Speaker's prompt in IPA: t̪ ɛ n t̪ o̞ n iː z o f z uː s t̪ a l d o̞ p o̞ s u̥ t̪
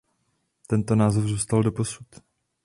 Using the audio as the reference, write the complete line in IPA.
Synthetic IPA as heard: t̪ ɛ n t̪ o̞ n aː z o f z uː s t̪ a l d o̞ p o̞ s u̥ t̪